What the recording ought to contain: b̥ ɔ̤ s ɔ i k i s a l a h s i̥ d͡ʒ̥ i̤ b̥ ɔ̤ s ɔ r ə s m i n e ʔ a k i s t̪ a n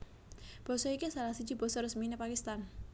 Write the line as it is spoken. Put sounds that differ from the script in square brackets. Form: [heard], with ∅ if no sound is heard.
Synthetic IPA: b̥ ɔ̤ s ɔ i k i s a l a h s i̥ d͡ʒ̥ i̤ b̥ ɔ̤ s ɔ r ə s m i n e [p] a k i s t̪ a n